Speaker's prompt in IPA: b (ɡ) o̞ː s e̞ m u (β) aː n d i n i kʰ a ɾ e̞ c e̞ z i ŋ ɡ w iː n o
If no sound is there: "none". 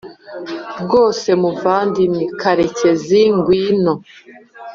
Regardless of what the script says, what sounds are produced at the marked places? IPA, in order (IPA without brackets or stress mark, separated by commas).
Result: ɡ, v